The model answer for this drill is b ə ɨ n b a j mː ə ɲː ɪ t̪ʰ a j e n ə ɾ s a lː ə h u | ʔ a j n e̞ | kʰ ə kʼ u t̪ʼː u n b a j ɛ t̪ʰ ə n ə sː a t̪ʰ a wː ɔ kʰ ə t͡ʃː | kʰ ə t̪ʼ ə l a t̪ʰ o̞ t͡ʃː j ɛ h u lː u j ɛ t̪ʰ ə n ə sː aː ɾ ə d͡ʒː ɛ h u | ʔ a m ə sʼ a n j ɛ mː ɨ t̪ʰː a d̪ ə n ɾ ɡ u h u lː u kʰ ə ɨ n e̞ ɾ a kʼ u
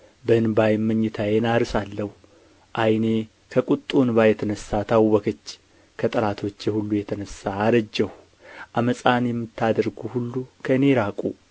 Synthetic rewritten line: b ə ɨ n b a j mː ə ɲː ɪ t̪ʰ a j e n a ɾ s a lː ə h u | ʔ a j n e̞ | kʰ ə kʼ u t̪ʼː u n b a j ɛ t̪ʰ ə n ə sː a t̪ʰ a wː ɔ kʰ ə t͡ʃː | kʰ ə t̪ʼ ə l a t̪ʰ o̞ t͡ʃː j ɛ h u lː u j ɛ t̪ʰ ə n ə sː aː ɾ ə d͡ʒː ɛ h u | ʔ a m ə sʼ a n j ɛ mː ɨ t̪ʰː a d̪ ə ɾ ɡ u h u lː u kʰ ə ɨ n e̞ ɾ a kʼ u

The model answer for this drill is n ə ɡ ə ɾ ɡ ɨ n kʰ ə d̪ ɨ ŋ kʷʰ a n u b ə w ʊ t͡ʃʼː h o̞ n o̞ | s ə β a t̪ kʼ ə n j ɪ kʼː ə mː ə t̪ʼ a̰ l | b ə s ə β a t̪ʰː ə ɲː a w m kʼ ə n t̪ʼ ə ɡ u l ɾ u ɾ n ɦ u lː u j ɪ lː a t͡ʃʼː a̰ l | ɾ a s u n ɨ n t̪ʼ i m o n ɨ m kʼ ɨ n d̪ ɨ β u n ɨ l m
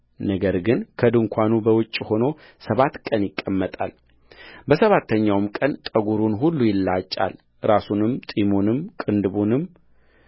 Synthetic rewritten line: n ə ɡ ə ɾ ɡ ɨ n kʰ ə d̪ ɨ ŋ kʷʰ a n u b ə w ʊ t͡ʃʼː h o̞ n o̞ | s ə β a t̪ kʼ ə n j ɪ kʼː ə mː ə t̪ʼ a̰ l | b ə s ə β a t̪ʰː ə ɲː a w m kʼ ə n t̪ʼ ə ɡ u ɾ u n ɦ u lː u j ɪ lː a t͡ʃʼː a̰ l | ɾ a s u n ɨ m t̪ʼ i m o n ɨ m kʼ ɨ n d̪ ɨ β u n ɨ m

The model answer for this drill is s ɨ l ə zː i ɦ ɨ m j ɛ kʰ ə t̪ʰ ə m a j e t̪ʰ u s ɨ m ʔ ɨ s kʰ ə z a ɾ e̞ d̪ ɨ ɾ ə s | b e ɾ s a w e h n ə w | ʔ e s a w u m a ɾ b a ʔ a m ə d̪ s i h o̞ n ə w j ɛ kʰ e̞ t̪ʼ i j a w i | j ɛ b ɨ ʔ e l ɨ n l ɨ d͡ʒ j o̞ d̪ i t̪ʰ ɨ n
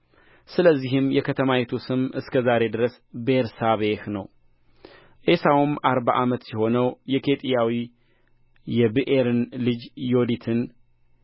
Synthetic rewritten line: s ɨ l ə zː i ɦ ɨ m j ɛ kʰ ə t̪ʰ ə m a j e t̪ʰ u s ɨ m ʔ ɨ s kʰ ə z a ɾ e̞ d̪ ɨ ɾ ə s | b e ɾ s a β e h n ə w | ʔ e s a w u m a ɾ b a ʔ a m ə t̪ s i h o̞ n ə w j ɛ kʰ e̞ t̪ʼ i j a w i | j ɛ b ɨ ʔ e ɾ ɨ n l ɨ d͡ʒ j o̞ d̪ i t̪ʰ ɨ n

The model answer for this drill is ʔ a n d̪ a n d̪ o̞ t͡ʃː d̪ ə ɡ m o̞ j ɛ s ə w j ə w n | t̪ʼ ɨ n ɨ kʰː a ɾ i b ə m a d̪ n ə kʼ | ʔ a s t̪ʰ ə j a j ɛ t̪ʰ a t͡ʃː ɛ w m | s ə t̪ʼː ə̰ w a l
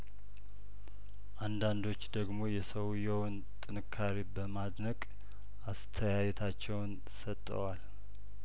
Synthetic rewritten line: ʔ a n d̪ a n d̪ o̞ t͡ʃː d̪ ə ɡ m o̞ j ɛ s ə w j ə w n | t̪ʼ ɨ n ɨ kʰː a ɾ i b ə m a d̪ n ə kʼ | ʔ a s t̪ʰ ə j a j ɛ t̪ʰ a t͡ʃː ɛ w n | s ə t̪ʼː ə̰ w a l

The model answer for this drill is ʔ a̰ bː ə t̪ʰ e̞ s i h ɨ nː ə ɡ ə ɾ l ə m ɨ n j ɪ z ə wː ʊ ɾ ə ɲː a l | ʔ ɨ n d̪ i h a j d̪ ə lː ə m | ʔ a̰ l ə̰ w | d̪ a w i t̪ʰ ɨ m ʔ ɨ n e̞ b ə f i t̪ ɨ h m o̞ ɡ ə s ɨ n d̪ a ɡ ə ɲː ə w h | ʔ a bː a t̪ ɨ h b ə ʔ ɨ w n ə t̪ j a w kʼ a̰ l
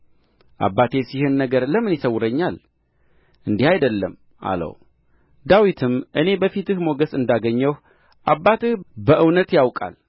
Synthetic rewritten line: ʔ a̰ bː a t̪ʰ e̞ s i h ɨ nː ə ɡ ə ɾ l ə m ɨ n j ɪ s ə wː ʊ ɾ ə ɲː a l | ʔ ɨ n d̪ i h a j d̪ ə lː ə m | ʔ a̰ l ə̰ w | d̪ a w i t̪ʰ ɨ m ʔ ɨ n e̞ b ə f i t̪ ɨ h m o̞ ɡ ə s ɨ n d̪ a ɡ ə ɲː ə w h | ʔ a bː a t̪ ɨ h b ə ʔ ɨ w n ə t̪ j a w kʼ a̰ l

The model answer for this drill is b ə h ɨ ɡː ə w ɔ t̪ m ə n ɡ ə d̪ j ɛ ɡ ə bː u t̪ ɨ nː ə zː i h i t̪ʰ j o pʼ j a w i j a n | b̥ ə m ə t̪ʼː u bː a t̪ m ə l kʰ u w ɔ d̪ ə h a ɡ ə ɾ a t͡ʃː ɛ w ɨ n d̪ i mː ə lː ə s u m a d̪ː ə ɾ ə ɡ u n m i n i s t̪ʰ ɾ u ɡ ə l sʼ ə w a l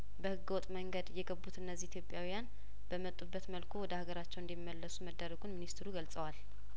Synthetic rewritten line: b ə h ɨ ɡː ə w ɔ t̪ʼ m ə ŋ ɡ ə d̪ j ɛ ɡ ə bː u t̪ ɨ nː ə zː i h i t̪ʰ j o pʼ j a w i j a n | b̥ ə m ə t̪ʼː u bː ə t̪ m ə l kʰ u w ɔ d̪ ə h a ɡ ə ɾ a t͡ʃː ɛ w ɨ n d̪ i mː ə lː ə s u m ə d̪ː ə ɾ ə ɡ u n m i n i s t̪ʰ ɾ u ɡ ə l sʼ ə w a l

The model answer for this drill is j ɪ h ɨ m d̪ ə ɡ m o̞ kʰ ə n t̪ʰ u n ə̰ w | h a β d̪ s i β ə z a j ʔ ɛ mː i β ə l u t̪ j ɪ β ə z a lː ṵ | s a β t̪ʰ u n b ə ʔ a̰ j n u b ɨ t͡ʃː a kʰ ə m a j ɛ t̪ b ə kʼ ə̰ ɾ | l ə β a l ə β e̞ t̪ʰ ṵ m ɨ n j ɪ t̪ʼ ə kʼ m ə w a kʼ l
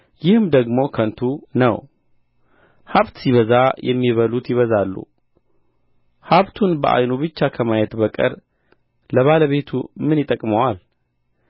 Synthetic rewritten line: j ɪ h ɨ m d̪ ə ɡ m o̞ kʰ ə n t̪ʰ u n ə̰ w | h a β t̪ s i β ə z a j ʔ ɛ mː i β ə l u t̪ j ɪ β ə z a lː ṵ | h a β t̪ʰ u n b ə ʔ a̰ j n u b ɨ t͡ʃː a kʰ ə m a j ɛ t̪ b ə kʼ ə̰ ɾ | l ə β a l ə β e̞ t̪ʰ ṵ m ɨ n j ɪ t̪ʼ ə kʼ m ə w a l

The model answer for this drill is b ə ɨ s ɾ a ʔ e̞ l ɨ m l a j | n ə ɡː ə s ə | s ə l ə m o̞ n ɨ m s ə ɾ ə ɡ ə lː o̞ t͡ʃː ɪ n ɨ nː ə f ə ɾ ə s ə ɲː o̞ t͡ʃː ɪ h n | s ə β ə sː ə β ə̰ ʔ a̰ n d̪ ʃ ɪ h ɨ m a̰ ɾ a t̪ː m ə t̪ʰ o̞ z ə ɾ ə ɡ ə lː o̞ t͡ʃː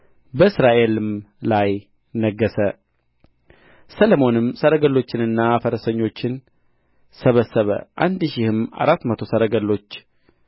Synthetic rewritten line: b ə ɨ s ɾ a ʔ e̞ l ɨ m l a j | n ə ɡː ə s ə | s ə l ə m o̞ n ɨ m s ə ɾ ə ɡ ə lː o̞ t͡ʃː ɪ n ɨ nː a f ə ɾ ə s ə ɲː o̞ t͡ʃː ɪ n | s ə β ə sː ə β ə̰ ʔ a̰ n d̪ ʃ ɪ h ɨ m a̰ ɾ a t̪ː m ə t̪ʰ o̞ s ə ɾ ə ɡ ə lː o̞ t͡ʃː

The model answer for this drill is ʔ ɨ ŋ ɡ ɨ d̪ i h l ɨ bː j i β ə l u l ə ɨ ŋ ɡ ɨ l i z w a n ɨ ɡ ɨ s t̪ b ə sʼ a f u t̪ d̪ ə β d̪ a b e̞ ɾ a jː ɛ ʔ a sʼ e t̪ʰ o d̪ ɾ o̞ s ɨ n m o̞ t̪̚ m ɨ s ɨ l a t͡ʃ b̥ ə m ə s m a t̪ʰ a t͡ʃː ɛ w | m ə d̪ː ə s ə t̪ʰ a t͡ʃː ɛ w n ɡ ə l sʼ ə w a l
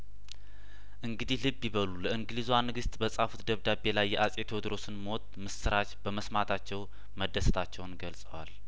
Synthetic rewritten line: ʔ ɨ ŋ ɡ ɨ d̪ i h l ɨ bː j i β ə l u l ə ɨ ŋ ɡ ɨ l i z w a n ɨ ɡ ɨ s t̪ b ə sʼ a f u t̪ d̪ ə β d̪ a b e̞ l a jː ɛ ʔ a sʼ e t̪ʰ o d̪ ɾ o̞ s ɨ n m o̞ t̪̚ m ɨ s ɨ ɾ a t͡ʃ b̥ ə m ə s m a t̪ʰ a t͡ʃː ɛ w | m ə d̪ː ə s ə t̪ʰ a t͡ʃː ɛ w n ɡ ə l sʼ ə w a l

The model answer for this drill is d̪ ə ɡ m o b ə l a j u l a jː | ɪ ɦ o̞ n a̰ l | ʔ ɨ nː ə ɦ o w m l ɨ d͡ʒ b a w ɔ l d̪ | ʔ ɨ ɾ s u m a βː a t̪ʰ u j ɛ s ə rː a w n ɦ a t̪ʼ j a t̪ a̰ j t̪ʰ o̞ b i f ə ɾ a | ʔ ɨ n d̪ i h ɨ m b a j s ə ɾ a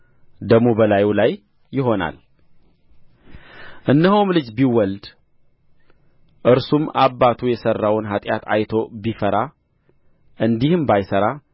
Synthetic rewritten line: d̪ ə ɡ m o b ə l a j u l a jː | ɪ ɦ o̞ n a̰ l | ʔ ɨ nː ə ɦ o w m l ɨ d͡ʒ b i w ɔ l d̪ | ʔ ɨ ɾ s u m a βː a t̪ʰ u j ɛ s ə rː a w n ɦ a t̪ʼ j a t̪ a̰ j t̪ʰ o̞ b i f ə ɾ a | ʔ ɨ n d̪ i h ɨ m b a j s ə ɾ a

